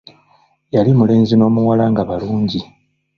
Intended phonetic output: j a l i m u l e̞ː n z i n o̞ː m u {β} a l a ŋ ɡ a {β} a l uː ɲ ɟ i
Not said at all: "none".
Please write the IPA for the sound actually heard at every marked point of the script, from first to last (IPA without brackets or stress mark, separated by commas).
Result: w, β